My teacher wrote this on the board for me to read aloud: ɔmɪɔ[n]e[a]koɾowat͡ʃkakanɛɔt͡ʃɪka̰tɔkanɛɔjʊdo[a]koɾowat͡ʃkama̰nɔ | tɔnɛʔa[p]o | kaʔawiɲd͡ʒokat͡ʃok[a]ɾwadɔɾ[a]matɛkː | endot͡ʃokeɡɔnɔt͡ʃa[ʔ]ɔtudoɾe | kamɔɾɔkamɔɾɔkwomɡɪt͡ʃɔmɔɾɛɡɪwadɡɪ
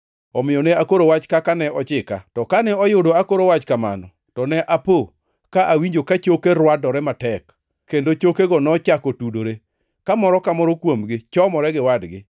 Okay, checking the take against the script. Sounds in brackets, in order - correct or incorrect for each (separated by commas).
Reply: correct, correct, correct, correct, incorrect, incorrect, incorrect